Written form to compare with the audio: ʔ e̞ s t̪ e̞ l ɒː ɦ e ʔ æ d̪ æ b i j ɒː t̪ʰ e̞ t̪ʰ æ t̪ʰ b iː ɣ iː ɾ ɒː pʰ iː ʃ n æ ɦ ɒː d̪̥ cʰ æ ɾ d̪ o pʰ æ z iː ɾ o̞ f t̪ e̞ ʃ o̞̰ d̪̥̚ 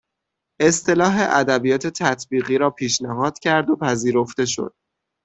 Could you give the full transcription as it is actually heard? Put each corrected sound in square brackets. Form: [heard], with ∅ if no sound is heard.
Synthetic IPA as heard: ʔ e̞ s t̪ e̞ l ɒː ɦ e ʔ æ d̪ æ b i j ɒː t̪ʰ e̞ t̪ʰ æ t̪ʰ b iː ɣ iː ɾ ɒː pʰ iː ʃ n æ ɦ ɒː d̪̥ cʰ æ ɾ d̪ o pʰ æ z iː ɾ o̞ f t̪ e̞ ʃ o̞̰ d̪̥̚